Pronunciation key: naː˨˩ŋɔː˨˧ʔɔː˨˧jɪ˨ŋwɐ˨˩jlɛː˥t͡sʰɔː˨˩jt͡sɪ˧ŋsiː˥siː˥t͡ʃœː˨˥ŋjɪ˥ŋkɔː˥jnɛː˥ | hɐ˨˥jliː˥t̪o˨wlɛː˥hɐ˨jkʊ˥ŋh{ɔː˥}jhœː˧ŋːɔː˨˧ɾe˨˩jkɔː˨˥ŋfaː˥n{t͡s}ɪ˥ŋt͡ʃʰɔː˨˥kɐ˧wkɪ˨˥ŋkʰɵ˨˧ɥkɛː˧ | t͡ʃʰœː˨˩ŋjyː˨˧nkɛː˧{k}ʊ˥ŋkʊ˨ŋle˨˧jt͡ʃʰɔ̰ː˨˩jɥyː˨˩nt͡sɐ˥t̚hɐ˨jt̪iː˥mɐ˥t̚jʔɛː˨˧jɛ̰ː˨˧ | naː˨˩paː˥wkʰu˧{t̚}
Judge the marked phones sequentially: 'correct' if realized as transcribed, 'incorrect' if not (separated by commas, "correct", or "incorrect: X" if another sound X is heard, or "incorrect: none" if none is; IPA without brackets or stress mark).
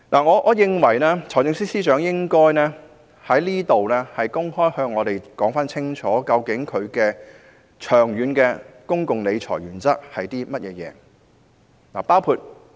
correct, incorrect: t͡sʰ, correct, correct